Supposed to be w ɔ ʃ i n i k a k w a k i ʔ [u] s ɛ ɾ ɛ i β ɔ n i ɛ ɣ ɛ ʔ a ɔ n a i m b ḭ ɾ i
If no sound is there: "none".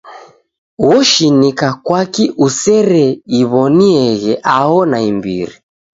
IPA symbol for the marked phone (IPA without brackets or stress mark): u